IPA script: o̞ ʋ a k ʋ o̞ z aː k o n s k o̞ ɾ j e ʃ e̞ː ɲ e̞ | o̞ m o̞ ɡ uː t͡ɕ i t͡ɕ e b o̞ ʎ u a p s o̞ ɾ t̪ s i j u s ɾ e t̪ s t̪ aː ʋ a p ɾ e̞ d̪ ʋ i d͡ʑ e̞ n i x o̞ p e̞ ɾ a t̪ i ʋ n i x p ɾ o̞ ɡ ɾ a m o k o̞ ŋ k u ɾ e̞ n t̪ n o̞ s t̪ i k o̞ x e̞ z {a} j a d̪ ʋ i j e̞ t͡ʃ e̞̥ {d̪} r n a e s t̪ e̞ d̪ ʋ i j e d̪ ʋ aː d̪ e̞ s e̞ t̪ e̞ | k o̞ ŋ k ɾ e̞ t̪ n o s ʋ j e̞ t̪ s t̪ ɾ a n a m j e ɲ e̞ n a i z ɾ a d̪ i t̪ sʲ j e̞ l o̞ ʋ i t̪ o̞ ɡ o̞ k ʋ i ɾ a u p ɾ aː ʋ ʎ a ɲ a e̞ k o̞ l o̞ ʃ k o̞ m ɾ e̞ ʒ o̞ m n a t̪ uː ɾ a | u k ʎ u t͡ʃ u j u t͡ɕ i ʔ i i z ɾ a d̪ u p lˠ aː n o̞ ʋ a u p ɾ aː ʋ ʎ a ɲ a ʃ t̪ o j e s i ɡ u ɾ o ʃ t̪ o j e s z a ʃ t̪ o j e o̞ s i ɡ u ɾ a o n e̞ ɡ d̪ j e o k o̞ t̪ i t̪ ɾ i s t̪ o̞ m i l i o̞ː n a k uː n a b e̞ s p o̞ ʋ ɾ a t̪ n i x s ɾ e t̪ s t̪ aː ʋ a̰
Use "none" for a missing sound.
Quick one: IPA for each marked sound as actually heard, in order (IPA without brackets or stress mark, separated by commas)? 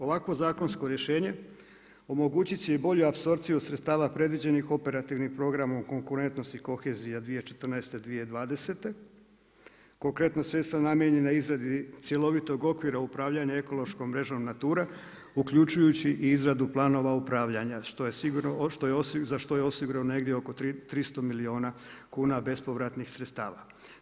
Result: i, t̪